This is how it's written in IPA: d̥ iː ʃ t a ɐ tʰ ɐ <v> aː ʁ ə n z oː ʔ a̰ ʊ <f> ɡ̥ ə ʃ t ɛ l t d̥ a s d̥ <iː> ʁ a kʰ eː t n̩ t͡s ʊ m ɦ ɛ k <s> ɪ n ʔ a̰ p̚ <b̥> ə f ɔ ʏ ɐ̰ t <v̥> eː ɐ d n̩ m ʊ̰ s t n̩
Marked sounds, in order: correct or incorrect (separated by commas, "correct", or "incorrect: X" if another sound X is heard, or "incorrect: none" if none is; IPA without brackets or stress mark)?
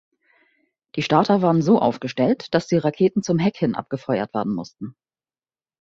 correct, correct, correct, incorrect: h, incorrect: ɡ̥, correct